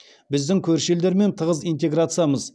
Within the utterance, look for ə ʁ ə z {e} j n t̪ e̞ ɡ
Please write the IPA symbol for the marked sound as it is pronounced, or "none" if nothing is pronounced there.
i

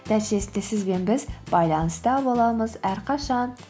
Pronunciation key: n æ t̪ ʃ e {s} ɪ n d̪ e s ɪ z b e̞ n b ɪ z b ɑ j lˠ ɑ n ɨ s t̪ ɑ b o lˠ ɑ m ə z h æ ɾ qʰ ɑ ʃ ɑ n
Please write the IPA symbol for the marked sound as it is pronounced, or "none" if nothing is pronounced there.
s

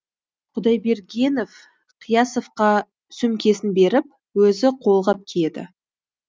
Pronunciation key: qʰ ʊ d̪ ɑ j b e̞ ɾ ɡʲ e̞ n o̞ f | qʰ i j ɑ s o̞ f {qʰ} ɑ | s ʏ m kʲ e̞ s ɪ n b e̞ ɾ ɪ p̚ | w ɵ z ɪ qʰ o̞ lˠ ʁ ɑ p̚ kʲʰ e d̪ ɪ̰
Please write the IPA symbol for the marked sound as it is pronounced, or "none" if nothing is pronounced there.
q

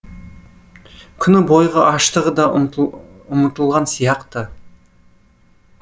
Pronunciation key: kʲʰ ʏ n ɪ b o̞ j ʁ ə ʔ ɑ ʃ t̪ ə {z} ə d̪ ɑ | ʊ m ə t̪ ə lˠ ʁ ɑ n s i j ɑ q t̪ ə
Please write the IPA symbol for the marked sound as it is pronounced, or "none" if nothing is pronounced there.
ʁ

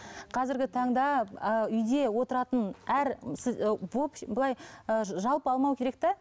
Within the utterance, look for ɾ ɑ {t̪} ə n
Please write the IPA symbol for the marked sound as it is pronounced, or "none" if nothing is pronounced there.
t̪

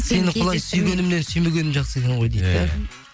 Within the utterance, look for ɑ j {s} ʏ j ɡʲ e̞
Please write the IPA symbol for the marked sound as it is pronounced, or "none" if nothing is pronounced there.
s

